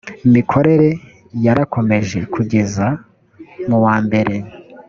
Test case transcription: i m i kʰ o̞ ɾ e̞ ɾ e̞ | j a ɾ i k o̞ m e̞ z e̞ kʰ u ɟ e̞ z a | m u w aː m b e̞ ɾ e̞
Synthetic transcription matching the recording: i m i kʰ o̞ ɾ e̞ ɾ e̞ | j a ɾ a k o̞ m e̞ ʒ e̞ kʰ u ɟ e̞ z a | m u w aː m b e̞ ɾ e̞